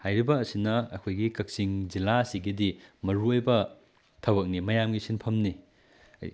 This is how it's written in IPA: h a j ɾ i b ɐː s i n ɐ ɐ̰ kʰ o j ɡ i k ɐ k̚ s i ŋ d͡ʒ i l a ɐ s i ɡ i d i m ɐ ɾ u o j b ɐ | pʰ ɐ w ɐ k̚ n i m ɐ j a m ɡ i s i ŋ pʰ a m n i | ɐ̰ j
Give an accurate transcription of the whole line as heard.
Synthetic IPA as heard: h a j ɾ i b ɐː s i n ɐ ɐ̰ kʰ o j ɡ i k ɐ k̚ s i ŋ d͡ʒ i l a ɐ s i ɡ i d i m ɐ ɾ u o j b ɐ | tʰ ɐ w ɐ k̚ n i m ɐ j a m ɡ i s i n pʰ ɐ m n i | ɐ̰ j